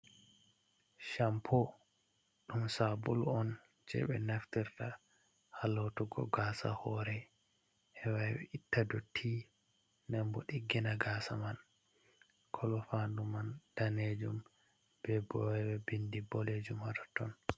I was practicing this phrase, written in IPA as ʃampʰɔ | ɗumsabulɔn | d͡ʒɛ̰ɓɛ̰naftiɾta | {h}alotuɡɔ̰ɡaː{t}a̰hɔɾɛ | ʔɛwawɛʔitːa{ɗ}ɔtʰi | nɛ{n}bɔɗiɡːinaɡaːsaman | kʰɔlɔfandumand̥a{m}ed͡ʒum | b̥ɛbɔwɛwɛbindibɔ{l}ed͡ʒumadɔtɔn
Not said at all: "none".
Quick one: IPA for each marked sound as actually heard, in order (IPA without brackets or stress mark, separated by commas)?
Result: h, s, d, m, n, l